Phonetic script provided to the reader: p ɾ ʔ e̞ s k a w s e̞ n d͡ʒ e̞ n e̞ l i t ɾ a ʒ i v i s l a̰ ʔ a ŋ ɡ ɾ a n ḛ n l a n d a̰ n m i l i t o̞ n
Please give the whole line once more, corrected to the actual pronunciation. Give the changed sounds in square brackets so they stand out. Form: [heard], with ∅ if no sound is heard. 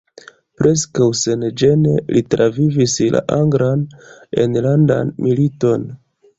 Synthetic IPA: p ɾ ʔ e̞ s k a w s e̞ n d͡ʒ e̞ n e̞ l i t ɾ a [v] i v i s l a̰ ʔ a ŋ ɡ ɾ a n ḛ n l a n d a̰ n m i l i t o̞ n